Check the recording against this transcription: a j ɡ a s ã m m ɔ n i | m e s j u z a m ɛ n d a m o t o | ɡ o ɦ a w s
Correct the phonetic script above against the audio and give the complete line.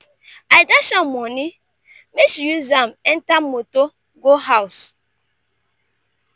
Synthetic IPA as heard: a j d a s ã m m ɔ n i | m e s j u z a m ɛ n t a m o t o | ɡ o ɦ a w s